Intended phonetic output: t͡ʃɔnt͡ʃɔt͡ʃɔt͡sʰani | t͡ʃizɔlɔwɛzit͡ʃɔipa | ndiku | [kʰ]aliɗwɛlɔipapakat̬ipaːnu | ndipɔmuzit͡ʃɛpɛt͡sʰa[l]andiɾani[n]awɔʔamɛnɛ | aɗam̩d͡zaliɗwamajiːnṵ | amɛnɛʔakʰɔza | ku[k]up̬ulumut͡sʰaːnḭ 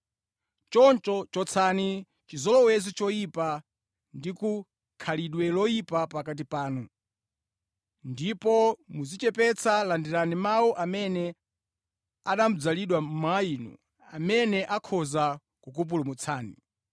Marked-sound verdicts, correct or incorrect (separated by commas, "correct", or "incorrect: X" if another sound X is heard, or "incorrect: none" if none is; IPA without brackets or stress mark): correct, correct, incorrect: m, correct